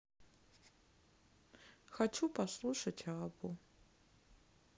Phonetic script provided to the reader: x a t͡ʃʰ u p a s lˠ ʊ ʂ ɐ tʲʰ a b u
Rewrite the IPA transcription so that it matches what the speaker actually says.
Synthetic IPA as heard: x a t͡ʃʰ u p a s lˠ u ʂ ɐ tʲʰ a b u